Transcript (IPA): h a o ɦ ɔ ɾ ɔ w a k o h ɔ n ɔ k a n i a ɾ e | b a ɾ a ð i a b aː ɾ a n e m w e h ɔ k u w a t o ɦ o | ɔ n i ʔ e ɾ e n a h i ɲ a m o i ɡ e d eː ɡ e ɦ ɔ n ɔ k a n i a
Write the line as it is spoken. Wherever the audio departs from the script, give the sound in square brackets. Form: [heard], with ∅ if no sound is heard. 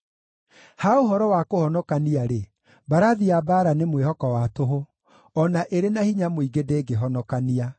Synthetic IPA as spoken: h a o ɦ ɔ ɾ ɔ w a k o h ɔ n ɔ k a n i a ɾ e | b a ɾ a ð i a b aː ɾ a n e m w e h ɔ k [ɔ] w a t o ɦ o | ɔ n [a] ʔ e ɾ e n a h i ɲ a m o i ɡ e d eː ɡ e ɦ ɔ n ɔ k a n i a